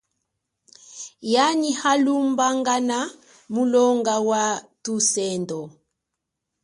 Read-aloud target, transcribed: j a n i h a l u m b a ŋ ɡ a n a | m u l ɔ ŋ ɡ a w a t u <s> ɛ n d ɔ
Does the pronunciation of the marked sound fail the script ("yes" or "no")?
no